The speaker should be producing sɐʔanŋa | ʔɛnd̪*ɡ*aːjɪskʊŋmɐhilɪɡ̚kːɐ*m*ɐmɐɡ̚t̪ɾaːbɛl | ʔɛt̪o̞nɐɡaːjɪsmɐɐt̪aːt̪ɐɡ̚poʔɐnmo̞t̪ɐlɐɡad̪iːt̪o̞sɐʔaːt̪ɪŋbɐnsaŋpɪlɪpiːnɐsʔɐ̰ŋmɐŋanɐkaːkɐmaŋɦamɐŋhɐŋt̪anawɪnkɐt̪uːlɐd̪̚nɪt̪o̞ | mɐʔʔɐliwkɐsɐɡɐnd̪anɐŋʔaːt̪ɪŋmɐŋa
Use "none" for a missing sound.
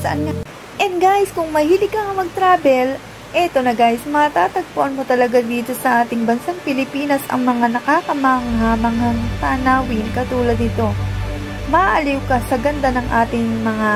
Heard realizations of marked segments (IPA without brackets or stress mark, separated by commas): ɡ, ŋ